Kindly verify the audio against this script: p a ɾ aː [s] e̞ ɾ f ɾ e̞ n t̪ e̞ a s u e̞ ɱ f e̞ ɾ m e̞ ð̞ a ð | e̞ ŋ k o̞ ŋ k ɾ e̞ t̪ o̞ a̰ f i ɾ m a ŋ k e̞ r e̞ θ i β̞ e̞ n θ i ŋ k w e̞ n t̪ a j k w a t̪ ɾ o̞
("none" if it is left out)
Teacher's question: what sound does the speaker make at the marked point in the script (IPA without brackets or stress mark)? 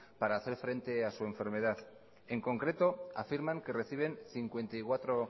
θ